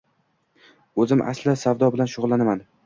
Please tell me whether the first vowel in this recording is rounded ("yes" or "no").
yes